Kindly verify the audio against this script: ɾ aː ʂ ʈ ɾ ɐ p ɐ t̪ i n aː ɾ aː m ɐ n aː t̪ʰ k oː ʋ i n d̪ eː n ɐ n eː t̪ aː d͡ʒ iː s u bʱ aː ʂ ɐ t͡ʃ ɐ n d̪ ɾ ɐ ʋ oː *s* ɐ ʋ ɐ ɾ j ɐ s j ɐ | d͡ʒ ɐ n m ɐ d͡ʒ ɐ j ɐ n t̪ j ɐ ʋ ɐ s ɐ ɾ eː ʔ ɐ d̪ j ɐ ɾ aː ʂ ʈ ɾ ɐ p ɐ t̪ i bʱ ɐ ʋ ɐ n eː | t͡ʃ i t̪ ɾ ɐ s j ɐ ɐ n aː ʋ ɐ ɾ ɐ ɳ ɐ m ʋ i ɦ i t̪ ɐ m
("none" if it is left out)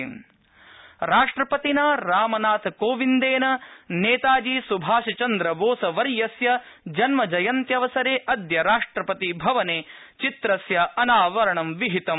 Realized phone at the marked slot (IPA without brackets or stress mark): s